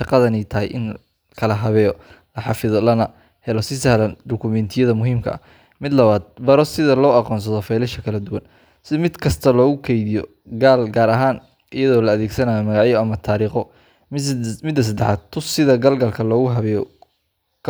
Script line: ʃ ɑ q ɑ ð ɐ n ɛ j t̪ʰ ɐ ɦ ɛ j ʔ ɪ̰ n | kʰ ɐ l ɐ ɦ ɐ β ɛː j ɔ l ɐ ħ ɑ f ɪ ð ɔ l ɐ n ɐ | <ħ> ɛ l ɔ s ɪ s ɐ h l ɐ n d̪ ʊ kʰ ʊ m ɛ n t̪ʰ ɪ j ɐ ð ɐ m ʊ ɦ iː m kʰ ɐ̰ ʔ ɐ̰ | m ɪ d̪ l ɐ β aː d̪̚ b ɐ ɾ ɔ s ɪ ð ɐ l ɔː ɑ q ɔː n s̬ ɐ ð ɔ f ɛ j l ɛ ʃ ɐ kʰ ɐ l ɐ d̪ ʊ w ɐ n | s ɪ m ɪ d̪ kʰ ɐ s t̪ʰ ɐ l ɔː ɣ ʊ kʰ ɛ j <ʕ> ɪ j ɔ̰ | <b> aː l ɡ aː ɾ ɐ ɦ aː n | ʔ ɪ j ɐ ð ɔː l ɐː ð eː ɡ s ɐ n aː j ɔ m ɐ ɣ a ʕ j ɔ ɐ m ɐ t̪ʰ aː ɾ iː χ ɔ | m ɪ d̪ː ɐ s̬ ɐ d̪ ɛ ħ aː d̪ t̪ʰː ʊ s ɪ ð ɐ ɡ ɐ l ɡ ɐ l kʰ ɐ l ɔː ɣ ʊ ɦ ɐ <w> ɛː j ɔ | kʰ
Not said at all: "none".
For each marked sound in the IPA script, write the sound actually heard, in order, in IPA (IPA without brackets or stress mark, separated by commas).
h, ð, ɡ, β